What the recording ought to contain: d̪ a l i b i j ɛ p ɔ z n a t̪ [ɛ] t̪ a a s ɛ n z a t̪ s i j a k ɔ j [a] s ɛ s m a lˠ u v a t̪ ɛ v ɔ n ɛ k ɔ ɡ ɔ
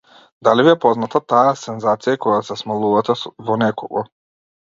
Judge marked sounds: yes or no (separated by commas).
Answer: no, yes